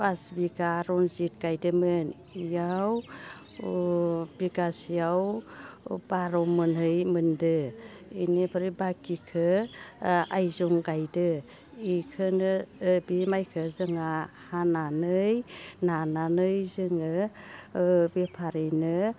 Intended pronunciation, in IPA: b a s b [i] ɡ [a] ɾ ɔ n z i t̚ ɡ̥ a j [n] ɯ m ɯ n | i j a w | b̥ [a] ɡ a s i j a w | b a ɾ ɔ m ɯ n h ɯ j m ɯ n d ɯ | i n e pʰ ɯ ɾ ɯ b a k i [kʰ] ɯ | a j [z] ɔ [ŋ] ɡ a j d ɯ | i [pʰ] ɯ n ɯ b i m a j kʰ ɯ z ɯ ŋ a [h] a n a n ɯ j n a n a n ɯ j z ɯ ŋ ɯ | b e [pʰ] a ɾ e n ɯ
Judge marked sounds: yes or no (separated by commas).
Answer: yes, yes, no, no, yes, yes, yes, no, yes, yes